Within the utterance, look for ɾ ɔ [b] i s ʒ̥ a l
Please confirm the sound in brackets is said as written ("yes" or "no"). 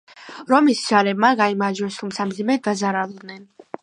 no